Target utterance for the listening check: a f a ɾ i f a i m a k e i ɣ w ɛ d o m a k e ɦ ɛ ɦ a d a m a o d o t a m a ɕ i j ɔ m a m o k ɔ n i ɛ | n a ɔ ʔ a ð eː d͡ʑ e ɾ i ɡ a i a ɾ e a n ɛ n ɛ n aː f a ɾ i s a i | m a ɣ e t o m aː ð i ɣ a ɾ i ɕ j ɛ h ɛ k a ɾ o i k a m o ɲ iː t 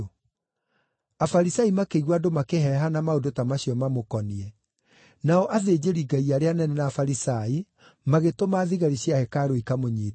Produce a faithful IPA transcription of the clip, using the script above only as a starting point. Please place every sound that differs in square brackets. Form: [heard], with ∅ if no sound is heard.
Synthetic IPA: a f a ɾ i [s] a i m a k e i ɣ w [a] d o m a k e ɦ ɛ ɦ a [n] a m a o d o t a m a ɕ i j ɔ m a m o k ɔ n i ɛ | n a ɔ ʔ a ð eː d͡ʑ e ɾ i ɡ a i a ɾ e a n ɛ n ɛ n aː f a ɾ i s a i | m a ɣ e t o m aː ð i ɣ a ɾ i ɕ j [a] h ɛ k a ɾ o i k a m o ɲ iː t